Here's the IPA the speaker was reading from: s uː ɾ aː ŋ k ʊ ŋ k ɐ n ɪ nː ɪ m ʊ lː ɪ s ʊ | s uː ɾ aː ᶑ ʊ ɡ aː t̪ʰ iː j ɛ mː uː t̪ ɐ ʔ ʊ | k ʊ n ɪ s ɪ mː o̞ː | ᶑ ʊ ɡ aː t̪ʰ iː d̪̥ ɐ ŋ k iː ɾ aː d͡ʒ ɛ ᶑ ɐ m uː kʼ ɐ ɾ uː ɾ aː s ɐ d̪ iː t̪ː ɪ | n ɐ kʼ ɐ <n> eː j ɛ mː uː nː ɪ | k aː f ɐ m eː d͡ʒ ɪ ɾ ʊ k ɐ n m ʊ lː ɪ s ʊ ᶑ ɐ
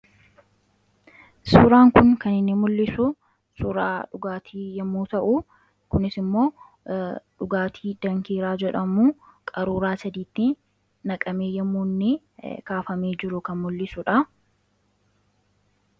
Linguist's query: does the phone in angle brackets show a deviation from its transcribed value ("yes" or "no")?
yes